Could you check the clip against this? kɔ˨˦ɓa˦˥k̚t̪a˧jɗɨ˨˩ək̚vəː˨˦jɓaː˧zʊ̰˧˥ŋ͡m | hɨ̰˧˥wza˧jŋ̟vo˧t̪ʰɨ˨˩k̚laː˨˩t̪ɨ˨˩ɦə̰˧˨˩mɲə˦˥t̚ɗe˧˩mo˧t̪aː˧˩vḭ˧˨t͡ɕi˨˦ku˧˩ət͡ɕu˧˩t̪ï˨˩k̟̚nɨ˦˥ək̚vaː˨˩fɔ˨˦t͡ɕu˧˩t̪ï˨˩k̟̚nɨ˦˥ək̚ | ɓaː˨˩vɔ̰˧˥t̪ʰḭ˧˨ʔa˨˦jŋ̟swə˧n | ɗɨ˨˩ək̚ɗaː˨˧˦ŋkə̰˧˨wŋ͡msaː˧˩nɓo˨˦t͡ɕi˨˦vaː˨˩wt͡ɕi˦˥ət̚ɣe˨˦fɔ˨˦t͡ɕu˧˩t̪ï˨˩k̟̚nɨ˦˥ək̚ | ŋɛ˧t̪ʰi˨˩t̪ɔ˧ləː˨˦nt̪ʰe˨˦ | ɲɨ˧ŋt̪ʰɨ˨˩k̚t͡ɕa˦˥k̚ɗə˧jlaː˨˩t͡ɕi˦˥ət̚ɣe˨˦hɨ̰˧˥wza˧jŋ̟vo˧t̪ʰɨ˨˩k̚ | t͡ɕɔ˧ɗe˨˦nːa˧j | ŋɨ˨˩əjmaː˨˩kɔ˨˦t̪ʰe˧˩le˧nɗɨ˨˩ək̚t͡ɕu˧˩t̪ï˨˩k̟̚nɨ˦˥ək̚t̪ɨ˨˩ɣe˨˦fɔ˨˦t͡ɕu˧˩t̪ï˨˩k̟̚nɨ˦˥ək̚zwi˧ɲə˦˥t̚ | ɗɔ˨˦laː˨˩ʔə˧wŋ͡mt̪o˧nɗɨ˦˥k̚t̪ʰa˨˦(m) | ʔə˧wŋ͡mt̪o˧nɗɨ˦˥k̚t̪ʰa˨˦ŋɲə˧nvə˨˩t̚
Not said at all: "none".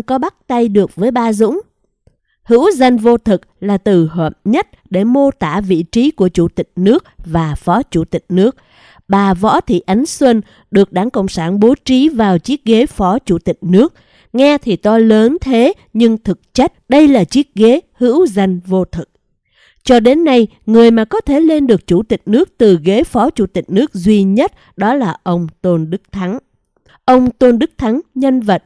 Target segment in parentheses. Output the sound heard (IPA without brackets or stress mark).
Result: ŋ